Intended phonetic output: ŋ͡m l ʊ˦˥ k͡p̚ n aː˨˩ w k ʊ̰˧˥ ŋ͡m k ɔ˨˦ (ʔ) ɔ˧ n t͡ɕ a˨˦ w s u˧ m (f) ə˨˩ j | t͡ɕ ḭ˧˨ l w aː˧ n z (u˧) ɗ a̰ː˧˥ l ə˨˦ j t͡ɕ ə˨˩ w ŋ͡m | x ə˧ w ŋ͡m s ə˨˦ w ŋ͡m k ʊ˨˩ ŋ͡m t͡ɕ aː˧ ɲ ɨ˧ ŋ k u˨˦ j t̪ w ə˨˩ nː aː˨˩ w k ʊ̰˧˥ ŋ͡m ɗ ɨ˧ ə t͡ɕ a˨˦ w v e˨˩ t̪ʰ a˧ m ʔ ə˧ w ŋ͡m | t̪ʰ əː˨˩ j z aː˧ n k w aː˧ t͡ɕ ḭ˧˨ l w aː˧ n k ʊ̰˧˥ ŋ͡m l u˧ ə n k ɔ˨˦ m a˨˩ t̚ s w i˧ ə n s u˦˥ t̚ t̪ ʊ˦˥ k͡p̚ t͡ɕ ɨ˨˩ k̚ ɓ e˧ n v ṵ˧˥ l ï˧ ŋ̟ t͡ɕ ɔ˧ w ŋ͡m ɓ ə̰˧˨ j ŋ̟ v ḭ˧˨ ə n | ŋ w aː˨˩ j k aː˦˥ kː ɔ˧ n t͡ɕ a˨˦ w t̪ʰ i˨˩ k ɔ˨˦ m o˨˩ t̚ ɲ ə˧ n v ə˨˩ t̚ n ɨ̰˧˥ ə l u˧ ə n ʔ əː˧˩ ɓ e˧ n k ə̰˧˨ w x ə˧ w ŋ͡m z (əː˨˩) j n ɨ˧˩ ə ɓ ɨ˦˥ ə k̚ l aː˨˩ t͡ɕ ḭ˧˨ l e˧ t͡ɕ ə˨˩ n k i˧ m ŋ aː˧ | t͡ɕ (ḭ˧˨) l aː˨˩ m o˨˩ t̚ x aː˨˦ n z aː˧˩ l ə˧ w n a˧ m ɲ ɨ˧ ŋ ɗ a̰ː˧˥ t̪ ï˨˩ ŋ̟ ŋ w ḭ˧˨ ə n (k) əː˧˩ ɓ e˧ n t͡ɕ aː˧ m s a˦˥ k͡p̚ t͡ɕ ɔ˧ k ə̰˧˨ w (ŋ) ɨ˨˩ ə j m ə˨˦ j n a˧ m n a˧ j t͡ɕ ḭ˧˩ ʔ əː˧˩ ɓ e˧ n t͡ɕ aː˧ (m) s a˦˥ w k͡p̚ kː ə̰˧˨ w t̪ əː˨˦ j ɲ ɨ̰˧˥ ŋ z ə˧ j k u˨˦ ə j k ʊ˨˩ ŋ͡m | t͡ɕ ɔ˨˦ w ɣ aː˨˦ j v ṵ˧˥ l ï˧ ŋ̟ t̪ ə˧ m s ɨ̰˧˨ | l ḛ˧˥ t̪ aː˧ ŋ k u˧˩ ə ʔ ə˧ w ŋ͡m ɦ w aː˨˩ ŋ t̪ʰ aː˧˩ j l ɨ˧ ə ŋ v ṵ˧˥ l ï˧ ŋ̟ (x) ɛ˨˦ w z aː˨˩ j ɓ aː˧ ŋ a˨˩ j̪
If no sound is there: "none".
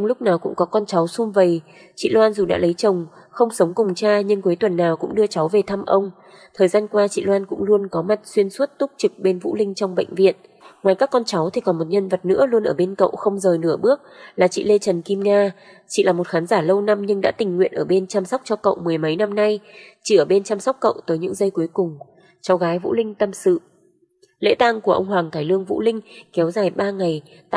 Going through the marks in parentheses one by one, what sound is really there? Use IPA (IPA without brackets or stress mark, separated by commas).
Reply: k, v, u˨˩, əː˨˩, ḭ˧˨, ʔ, m, m, k